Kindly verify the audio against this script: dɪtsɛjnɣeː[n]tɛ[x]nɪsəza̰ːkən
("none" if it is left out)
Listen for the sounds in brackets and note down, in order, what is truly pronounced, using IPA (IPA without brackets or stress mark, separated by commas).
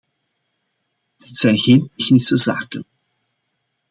n, x